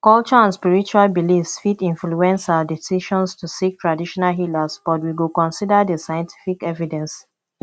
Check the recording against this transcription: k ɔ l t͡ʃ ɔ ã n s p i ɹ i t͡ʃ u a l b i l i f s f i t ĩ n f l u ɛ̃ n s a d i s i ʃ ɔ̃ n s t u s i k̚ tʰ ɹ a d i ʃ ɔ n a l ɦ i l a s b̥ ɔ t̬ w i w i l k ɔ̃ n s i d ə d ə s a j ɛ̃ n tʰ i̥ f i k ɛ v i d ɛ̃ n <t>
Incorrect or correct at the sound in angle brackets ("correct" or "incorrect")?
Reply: incorrect